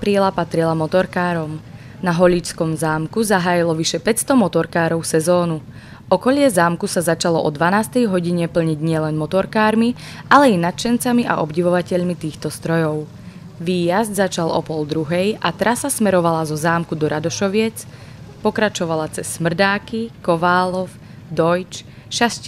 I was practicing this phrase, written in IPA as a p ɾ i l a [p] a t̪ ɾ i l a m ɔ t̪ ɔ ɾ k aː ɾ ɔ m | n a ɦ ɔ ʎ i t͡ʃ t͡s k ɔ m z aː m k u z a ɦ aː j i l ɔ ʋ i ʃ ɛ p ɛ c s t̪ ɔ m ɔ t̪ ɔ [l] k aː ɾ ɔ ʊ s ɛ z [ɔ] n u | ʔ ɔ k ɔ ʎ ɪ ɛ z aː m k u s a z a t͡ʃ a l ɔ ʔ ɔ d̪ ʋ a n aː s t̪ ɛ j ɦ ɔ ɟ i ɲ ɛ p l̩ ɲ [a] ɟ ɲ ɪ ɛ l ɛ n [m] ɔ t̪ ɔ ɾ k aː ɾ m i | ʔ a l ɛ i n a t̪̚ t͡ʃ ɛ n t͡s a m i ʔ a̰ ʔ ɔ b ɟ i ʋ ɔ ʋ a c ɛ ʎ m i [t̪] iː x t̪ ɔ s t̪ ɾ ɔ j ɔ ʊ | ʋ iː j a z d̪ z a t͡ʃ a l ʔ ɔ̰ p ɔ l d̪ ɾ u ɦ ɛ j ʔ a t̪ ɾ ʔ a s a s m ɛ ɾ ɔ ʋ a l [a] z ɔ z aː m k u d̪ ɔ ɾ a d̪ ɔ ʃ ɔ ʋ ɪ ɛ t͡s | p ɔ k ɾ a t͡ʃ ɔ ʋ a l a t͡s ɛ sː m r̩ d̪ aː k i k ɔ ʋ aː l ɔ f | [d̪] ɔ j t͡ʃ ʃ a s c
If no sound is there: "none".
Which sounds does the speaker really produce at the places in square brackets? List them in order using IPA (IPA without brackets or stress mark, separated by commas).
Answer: p, ɾ, ɔː, i, m, t̪, a, d̪